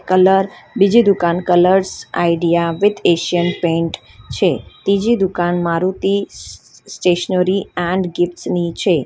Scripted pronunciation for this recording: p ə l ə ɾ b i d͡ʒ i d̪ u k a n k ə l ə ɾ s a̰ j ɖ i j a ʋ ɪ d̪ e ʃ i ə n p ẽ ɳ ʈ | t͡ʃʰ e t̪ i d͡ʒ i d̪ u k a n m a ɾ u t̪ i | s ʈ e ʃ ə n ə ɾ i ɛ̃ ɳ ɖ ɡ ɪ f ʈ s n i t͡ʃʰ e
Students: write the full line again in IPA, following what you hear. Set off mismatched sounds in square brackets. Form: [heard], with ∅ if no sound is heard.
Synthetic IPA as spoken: [k] ə l ə ɾ b i d͡ʒ i d̪ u k a n k ə l ə ɾ s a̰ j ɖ i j a ʋ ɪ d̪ e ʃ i ə n p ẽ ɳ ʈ | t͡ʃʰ e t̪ i d͡ʒ i d̪ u k a n m a ɾ u t̪ i | s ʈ e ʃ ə n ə ɾ i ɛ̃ ɳ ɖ ɡ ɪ f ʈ s n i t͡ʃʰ e